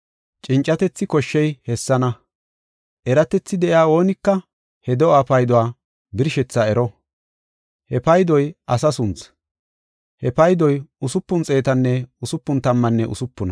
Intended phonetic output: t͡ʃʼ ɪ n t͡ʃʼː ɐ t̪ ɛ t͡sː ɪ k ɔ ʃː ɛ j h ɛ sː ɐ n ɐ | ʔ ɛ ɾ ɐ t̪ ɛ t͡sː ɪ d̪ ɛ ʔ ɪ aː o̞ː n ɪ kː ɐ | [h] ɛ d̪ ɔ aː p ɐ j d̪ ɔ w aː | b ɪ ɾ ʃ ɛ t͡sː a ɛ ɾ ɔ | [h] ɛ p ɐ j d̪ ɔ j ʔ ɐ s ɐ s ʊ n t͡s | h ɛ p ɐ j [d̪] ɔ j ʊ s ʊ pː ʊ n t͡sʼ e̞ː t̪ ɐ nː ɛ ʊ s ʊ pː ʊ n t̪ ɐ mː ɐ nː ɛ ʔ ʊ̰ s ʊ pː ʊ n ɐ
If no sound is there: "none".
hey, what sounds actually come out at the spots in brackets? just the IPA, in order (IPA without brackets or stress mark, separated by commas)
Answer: h, h, d̪